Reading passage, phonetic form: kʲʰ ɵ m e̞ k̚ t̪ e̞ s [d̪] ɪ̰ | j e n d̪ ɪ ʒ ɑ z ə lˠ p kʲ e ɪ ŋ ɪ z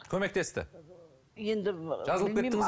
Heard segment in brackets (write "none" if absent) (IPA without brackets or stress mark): t̪